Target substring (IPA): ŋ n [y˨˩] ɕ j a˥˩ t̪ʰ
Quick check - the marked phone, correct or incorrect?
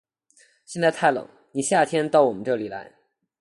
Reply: incorrect